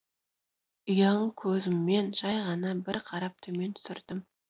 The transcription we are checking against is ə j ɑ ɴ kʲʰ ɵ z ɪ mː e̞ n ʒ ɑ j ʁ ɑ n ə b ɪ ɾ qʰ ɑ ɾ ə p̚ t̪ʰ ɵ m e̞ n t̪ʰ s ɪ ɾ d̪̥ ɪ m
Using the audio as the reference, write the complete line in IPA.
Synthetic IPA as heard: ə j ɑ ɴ kʲʰ ɵ z ɪ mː e̞ n ʒ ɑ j ʁ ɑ n ɑ b ɪ ɾ qʰ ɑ ɾ ɑ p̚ t̪ʰ ɵ m e̞ n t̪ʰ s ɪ ɾ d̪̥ ɪ m